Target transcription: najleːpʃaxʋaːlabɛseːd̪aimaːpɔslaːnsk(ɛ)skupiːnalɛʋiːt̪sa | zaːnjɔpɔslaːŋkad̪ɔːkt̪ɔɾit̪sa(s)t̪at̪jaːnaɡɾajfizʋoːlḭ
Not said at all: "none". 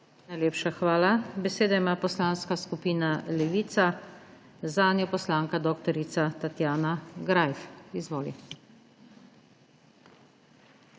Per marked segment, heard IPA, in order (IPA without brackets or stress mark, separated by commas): a, none